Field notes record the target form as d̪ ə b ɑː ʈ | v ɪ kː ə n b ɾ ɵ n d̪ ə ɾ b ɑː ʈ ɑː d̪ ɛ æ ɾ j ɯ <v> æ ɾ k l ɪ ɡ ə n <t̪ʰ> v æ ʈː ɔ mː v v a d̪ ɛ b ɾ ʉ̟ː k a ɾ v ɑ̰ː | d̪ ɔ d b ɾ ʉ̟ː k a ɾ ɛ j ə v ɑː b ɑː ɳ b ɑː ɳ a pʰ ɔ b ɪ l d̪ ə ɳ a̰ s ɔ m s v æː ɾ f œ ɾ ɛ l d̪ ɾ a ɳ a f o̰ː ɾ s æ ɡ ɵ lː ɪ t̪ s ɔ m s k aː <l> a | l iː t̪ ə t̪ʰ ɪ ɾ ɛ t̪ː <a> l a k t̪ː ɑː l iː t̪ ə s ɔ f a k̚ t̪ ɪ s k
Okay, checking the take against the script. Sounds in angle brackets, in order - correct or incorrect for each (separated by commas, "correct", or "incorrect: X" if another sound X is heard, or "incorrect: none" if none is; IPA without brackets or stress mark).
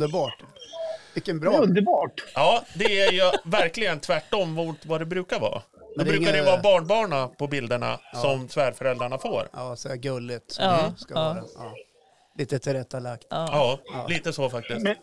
correct, correct, incorrect: ɾ, correct